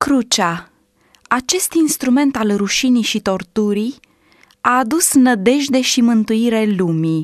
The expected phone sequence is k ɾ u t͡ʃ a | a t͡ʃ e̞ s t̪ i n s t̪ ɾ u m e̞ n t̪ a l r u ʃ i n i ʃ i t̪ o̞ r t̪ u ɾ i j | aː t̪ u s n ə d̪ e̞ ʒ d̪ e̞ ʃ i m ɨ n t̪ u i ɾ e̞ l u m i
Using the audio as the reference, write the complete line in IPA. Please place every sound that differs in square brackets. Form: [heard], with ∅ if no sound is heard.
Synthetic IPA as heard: k ɾ u t͡ʃ a | a t͡ʃ e̞ s t̪ i n s t̪ ɾ u m e̞ n t̪ a l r u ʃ i n i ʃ i t̪ o̞ r t̪ u ɾ i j | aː [d̪] u s n ə d̪ e̞ ʒ d̪ e̞ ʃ i m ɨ n t̪ u i ɾ e̞ l u m i